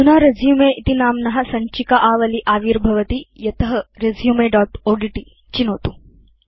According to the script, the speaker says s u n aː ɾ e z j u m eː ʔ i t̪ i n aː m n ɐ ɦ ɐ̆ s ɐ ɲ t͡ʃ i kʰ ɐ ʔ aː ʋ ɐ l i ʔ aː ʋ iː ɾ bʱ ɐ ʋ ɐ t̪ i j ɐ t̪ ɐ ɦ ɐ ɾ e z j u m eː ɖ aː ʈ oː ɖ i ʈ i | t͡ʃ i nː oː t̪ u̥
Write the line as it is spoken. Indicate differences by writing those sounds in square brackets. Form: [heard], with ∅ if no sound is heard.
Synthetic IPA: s u n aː ɾ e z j u m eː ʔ i t̪ i n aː m n ɐ ɦ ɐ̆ s ɐ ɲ t͡ʃ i [k] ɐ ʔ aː ʋ ɐ l i ʔ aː ʋ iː ɾ bʱ ɐ ʋ ɐ t̪ i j ɐ t̪ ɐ ɦ ɐ ɾ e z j u m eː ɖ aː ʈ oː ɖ i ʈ i | t͡ʃ i [n] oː t̪ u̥